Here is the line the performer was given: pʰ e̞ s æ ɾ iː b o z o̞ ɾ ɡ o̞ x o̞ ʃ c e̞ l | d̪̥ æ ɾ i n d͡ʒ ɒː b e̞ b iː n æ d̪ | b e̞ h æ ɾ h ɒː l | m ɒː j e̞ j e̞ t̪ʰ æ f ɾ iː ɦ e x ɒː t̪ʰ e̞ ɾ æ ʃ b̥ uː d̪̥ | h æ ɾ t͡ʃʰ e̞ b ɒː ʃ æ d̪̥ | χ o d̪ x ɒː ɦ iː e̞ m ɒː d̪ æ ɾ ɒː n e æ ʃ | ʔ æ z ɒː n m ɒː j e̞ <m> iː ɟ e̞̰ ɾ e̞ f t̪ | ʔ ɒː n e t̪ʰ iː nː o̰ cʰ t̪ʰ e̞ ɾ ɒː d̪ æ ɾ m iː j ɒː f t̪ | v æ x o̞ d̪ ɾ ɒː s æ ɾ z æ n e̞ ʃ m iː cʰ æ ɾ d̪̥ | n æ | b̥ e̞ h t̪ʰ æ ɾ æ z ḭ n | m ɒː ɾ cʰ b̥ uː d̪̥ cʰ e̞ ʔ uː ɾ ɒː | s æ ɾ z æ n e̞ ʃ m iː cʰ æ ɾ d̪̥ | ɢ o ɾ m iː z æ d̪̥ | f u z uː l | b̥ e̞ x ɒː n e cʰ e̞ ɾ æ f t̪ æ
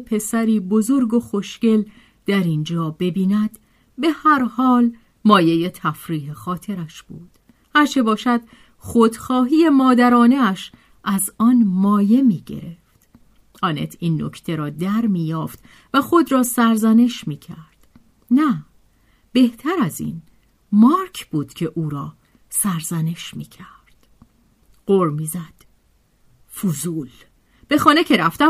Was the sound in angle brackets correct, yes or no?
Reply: yes